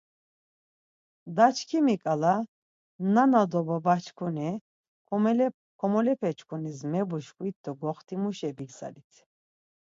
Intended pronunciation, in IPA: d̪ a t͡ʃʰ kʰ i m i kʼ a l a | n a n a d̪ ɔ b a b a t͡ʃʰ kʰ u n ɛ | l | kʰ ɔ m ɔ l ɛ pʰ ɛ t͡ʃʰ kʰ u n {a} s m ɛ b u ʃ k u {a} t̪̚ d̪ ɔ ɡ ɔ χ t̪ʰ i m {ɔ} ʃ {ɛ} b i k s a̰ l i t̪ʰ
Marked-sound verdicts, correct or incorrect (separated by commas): incorrect, incorrect, incorrect, correct